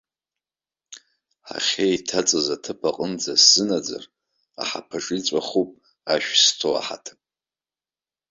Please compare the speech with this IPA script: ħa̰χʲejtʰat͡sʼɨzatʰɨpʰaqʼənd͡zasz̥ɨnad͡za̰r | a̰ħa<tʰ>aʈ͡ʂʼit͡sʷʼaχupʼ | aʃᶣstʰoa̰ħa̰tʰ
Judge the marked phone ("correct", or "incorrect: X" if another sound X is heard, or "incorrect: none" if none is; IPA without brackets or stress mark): incorrect: pʰ